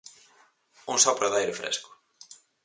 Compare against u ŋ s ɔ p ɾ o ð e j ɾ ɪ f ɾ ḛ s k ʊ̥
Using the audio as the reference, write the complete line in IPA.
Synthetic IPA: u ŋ s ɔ p ɾ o ð a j ɾ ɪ f ɾ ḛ s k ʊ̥